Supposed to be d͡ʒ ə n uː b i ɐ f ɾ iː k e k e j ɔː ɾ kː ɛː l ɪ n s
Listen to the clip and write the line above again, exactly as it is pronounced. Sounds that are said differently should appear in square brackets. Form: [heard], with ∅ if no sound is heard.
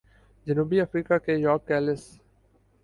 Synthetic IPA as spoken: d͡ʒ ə n uː b i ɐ f ɾ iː k [a] k e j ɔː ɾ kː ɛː l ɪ [∅] s